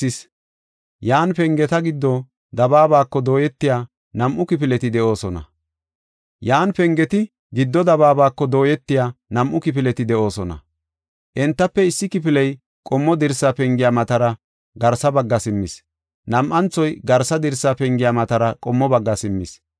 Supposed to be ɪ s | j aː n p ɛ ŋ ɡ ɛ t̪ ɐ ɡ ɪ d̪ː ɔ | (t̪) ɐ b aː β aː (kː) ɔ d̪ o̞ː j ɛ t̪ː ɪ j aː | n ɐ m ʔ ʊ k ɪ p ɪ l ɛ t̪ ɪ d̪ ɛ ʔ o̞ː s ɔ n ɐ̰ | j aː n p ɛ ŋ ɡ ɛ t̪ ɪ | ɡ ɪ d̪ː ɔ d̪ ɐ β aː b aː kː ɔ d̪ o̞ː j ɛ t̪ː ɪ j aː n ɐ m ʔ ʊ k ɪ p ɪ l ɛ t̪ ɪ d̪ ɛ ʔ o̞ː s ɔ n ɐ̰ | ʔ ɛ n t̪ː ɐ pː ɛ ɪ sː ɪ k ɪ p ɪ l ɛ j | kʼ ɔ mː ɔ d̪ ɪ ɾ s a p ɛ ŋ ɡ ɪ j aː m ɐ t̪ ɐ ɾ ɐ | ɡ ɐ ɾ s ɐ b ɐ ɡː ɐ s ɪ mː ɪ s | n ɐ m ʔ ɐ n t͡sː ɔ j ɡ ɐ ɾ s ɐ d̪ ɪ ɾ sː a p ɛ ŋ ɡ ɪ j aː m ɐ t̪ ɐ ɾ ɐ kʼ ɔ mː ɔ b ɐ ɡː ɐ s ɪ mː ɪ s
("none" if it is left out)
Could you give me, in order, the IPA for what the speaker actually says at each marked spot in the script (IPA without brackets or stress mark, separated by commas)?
d̪, kː